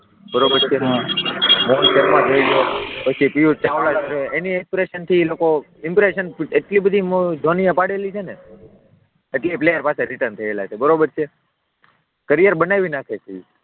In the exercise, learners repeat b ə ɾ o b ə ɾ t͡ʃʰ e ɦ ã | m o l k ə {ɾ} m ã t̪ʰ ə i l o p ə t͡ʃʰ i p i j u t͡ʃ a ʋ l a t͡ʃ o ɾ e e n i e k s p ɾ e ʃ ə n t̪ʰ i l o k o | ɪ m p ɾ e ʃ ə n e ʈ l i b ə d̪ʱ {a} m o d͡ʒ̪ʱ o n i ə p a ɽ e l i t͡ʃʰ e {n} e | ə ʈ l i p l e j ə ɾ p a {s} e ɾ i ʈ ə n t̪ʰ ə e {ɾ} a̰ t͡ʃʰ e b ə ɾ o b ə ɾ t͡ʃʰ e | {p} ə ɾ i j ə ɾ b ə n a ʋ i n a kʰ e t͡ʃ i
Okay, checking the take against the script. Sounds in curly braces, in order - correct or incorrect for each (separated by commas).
correct, incorrect, correct, correct, incorrect, incorrect